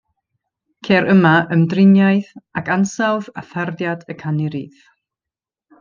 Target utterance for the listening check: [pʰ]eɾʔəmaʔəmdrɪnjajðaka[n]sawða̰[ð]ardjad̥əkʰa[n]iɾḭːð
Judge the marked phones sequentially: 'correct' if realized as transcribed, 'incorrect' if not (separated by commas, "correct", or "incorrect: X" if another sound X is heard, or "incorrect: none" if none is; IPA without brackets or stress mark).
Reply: incorrect: kʰ, correct, incorrect: θ, correct